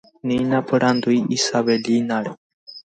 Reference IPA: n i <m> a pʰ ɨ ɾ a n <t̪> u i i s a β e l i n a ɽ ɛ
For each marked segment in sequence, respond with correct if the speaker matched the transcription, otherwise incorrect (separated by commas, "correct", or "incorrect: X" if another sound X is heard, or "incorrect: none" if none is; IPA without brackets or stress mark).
incorrect: n, incorrect: d̪